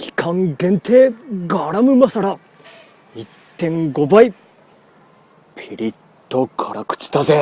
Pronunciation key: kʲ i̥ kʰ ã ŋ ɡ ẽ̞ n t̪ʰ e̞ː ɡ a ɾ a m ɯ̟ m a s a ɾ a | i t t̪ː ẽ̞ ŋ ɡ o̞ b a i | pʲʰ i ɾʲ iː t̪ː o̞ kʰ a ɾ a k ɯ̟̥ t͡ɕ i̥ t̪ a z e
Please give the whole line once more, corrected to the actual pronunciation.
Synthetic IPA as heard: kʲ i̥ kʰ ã ŋ ɡ ẽ̞ n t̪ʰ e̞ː ɡ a ɾ a m ɯ̟ m a s a ɾ a | i t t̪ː ẽ̞ ŋ ɡ o̞ b a i | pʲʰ i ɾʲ i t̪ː o̞ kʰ a ɾ a k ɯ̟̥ t͡ɕ i̥ t̪ a z e